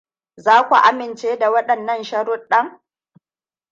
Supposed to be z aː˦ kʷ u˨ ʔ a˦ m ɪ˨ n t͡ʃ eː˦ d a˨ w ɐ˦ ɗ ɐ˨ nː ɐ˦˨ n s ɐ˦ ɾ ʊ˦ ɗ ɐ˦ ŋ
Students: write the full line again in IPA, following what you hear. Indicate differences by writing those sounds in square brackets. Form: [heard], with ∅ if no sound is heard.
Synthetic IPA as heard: z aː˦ kʷ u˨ ʔ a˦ m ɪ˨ n t͡ʃ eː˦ d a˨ w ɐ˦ ɗ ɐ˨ nː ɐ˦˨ n [ʃ] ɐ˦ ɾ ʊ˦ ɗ ɐ˦ ŋ